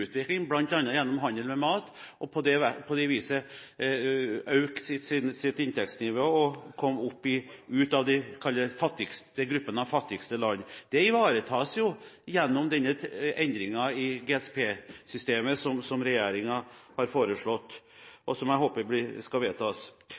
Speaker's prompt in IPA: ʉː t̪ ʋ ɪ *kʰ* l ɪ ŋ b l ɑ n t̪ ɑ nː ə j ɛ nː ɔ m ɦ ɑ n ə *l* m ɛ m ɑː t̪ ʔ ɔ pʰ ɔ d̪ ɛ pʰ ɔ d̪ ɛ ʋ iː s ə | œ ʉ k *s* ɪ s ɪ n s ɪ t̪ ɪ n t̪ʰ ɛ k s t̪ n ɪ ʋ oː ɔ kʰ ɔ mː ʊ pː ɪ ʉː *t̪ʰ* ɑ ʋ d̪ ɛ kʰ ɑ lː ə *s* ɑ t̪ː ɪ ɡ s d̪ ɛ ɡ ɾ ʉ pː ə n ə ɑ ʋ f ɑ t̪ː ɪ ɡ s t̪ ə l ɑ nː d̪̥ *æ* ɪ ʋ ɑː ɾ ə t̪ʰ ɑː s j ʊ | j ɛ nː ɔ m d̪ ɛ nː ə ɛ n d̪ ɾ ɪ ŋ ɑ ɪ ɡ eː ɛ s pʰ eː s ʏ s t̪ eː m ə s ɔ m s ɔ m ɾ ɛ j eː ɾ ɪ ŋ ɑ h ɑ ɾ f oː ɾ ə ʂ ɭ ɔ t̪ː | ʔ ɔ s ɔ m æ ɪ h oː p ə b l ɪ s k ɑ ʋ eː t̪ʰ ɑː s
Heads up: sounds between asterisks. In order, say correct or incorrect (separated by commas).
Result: incorrect, correct, correct, incorrect, incorrect, incorrect